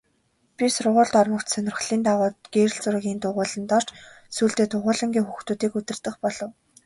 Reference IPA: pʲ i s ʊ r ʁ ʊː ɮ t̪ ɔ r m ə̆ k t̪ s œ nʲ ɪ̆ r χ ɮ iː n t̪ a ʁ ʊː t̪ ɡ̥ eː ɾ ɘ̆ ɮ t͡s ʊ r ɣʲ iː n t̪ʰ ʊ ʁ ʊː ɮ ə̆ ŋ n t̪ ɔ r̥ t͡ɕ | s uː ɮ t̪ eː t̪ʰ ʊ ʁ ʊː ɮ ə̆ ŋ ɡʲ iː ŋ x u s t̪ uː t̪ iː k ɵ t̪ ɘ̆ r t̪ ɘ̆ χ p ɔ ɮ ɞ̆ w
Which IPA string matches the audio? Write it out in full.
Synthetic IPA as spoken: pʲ i s ʊ r ʁ ʊː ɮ t̪ ɔ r m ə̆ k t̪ s œ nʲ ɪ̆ r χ ɮ iː n t̪ a ʁ ʊː t̪ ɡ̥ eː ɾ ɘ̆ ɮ t͡s ʊ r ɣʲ iː n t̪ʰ ʊ ʁ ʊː ɮ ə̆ n t̪ ɔ r̥ t͡ɕ | s uː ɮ t̪ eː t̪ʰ ʊ ʁ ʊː ɮ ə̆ ŋ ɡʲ iː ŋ x u x t̪ uː t̪ iː k ɵ t̪ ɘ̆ r t̪ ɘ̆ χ p ɔ ɮ ɞ̆ w